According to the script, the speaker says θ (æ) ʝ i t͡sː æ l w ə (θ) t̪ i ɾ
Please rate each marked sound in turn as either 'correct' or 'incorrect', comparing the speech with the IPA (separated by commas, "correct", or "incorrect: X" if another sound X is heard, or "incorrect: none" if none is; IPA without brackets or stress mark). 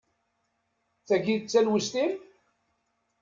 correct, incorrect: s